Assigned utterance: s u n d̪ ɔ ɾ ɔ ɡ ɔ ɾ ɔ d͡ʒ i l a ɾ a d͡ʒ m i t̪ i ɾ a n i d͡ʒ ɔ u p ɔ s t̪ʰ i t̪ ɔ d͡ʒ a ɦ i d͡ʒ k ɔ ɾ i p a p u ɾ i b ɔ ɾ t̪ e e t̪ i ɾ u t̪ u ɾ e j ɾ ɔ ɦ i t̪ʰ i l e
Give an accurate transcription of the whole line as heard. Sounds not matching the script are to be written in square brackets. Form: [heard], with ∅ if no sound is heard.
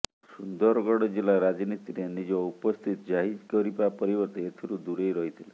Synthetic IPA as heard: s u n d̪ ɔ ɾ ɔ ɡ ɔ [ɽ] ɔ d͡ʒ i l a ɾ a d͡ʒ [n] i t̪ i ɾ [e] n i d͡ʒ ɔ u p ɔ s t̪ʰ i t̪ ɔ d͡ʒ a ɦ i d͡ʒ k ɔ ɾ i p a p [ɔ] ɾ i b ɔ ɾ t̪ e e [t̪ʰ] i ɾ u [d̪] u ɾ e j ɾ ɔ ɦ i t̪ʰ i l e

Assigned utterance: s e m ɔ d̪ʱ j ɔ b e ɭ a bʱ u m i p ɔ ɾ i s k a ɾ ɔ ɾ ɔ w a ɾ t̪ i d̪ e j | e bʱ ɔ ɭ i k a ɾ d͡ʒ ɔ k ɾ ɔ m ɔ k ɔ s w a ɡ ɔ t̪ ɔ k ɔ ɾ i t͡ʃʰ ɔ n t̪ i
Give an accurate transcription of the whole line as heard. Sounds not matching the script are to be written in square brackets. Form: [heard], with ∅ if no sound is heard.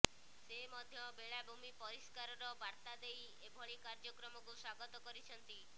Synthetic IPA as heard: s e m ɔ d̪ʱ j ɔ b e ɭ a bʱ u m i p ɔ ɾ i s k a ɾ ɔ ɾ ɔ [b] a ɾ t̪ [a] d̪ e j | e bʱ ɔ ɭ i k a ɾ d͡ʒ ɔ k ɾ ɔ m ɔ k [u] s w a ɡ ɔ t̪ ɔ k ɔ ɾ i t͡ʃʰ ɔ n t̪ i

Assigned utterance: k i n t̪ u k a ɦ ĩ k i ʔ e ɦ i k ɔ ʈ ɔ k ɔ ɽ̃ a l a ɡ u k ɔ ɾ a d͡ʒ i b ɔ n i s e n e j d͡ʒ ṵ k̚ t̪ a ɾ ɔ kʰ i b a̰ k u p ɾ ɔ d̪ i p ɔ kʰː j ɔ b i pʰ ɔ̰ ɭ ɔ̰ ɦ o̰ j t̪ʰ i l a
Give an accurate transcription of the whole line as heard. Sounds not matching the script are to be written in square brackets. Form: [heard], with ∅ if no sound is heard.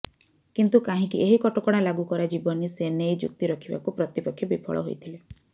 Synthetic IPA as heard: k i n t̪ u k a ɦ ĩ k i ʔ e ɦ i k ɔ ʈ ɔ k ɔ ɽ̃ a l a ɡ u k ɔ ɾ a d͡ʒ i b ɔ n i s e n e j d͡ʒ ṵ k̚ t̪ [i] ɾ ɔ kʰ i b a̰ k u p ɾ ɔ [t̪] i p ɔ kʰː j ɔ b i pʰ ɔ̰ ɭ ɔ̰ ɦ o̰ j t̪ʰ i l [e]

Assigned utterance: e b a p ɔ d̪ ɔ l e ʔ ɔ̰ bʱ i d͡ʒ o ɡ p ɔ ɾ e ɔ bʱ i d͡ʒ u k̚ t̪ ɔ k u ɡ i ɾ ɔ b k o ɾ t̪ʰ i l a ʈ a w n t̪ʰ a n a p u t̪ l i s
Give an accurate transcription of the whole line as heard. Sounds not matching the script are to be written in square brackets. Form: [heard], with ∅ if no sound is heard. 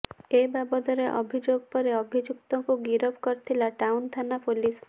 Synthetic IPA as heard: e b a [b] ɔ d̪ ɔ [ɾ] e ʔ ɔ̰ bʱ i d͡ʒ o ɡ p ɔ ɾ e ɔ bʱ i d͡ʒ u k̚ t̪ ɔ k u ɡ i ɾ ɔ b k [ɔ] ɾ t̪ʰ i l a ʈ a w n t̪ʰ a n a p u [∅] l i s

